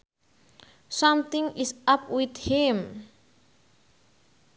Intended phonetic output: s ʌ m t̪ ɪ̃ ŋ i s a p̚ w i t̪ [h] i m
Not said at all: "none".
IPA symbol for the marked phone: h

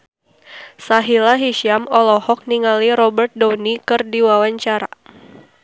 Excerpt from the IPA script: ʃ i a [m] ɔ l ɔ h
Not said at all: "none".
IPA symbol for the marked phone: m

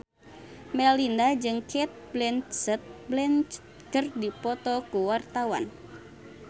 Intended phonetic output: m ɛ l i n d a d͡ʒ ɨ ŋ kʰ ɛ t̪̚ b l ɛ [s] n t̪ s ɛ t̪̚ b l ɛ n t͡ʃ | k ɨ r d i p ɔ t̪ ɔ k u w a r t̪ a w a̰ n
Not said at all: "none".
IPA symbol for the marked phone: none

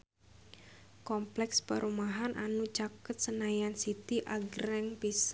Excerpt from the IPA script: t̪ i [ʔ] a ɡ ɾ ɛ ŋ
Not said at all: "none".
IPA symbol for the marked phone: ʔ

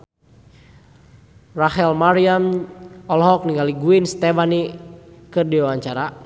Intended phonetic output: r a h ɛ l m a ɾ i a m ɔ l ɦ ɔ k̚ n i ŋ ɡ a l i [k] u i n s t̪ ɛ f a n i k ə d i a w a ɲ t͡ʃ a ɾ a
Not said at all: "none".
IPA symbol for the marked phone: ɡ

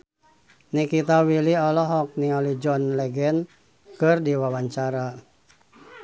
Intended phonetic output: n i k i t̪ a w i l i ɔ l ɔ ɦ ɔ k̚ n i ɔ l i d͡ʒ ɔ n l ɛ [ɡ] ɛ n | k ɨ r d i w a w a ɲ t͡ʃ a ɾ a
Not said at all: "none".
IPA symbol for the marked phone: ɡ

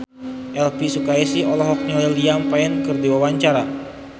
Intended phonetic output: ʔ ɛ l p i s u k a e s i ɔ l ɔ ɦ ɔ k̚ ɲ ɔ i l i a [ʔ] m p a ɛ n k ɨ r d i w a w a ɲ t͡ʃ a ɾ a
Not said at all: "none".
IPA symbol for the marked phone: none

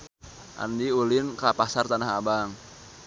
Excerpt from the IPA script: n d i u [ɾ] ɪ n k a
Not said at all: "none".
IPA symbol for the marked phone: l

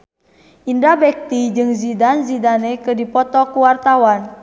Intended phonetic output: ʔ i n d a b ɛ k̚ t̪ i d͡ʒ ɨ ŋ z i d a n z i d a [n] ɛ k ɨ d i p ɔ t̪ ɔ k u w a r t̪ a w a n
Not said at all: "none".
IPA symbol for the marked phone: n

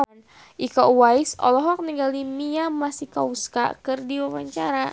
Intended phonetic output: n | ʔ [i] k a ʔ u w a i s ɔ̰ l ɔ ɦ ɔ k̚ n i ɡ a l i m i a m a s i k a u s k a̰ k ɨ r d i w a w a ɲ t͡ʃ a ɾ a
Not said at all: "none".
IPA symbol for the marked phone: i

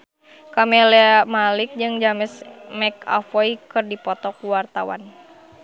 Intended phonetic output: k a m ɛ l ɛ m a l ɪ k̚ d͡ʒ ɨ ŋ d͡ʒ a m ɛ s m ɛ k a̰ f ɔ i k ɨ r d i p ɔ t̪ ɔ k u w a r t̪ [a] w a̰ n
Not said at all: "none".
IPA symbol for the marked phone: a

